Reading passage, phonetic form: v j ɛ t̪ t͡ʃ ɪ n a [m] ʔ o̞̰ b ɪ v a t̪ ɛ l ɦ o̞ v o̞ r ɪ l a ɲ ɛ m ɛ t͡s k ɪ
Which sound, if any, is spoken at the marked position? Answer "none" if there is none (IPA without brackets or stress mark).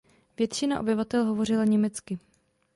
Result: none